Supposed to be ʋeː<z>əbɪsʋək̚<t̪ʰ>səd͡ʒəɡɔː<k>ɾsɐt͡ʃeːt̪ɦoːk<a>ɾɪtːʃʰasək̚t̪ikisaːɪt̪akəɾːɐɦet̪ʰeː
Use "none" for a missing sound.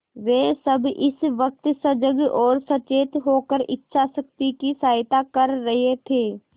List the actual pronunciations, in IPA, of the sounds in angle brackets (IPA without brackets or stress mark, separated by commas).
s, t̪, none, ə